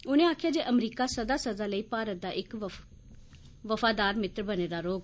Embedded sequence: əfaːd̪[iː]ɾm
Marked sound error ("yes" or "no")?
yes